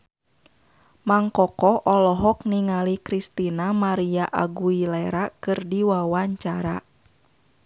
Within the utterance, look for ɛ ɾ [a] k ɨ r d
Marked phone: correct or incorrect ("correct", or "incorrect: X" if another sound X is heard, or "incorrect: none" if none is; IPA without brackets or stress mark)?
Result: correct